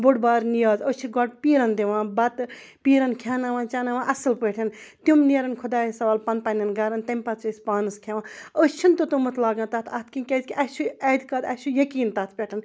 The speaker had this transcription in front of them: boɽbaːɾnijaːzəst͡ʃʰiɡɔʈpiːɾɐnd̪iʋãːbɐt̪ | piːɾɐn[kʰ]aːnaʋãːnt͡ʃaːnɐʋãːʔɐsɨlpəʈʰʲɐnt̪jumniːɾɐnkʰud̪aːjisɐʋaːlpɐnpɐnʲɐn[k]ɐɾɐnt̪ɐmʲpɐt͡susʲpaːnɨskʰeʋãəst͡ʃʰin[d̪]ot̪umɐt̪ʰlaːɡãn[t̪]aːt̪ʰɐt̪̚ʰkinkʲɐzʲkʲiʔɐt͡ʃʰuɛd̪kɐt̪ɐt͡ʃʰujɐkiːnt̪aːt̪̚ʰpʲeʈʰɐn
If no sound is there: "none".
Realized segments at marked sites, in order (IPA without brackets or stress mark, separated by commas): kʰ, ɡ, t̪, t̪